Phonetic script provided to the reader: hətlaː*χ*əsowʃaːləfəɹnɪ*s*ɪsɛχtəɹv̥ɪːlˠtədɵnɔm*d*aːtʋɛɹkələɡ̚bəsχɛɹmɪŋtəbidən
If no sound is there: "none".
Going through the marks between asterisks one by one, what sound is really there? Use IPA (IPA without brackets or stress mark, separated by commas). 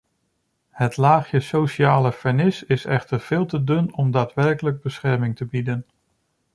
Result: χ, s, d